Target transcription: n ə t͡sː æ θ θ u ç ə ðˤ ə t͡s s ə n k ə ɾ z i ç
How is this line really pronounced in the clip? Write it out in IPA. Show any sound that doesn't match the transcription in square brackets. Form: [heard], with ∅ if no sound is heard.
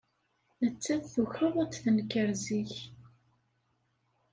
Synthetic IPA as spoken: n ə t͡sː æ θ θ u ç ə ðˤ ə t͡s [θ] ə n k ə ɾ z i ç